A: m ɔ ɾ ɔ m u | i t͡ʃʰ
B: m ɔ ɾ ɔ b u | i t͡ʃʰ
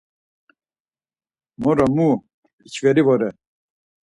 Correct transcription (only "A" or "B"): A